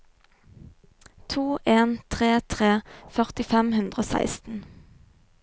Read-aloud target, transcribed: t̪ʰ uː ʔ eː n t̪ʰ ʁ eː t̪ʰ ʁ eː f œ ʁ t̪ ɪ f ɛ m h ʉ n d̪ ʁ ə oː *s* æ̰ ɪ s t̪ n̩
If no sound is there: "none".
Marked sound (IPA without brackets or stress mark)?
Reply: s